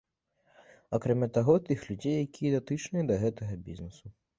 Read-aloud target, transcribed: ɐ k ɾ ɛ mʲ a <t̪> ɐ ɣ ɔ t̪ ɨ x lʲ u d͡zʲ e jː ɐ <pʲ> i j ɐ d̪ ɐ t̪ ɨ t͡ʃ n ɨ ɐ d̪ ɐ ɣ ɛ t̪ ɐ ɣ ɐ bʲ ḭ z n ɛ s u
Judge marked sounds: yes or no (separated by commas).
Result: yes, no